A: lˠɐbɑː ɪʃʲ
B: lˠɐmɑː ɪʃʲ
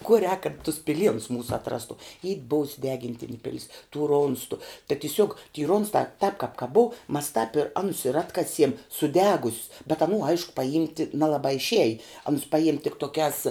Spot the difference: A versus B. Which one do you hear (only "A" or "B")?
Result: A